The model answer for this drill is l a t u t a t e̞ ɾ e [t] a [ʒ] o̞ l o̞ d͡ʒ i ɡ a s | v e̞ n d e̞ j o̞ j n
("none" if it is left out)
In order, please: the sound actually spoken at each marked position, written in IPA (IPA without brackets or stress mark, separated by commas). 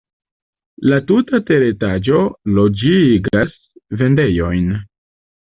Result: t, d͡ʒ